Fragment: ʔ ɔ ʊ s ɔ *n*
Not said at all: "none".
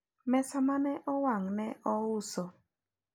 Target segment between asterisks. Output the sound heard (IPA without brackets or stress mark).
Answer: none